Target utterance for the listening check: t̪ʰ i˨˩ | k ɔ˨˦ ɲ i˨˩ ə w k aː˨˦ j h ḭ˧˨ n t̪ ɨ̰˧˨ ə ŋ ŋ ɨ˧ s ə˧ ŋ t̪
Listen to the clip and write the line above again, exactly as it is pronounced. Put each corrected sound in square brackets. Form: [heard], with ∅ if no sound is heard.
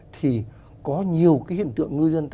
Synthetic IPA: t̪ʰ i˨˩ | k ɔ˨˦ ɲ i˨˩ ə w k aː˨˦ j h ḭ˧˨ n t̪ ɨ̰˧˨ ə ŋ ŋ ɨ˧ [z] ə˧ [n] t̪